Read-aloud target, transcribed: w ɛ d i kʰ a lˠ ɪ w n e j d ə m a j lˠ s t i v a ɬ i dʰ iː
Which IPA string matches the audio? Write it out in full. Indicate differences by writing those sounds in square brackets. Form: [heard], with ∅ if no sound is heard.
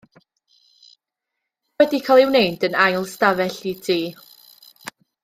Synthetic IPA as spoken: w ɛ d i kʰ a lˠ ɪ w n e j d ə [n] a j lˠ s t [a] v [ɛ] ɬ i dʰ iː